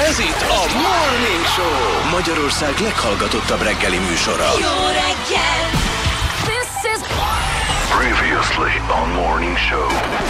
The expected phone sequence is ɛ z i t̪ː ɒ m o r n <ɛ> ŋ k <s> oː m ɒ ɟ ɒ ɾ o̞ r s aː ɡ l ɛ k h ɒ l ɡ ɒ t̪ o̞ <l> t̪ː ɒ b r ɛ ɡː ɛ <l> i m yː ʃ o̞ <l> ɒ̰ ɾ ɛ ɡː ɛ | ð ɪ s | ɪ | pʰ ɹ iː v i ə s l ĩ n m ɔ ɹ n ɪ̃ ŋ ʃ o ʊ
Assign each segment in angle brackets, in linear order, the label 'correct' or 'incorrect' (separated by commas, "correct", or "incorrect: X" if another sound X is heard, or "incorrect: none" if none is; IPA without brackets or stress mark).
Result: incorrect: i, incorrect: ʃ, incorrect: none, correct, incorrect: ɾ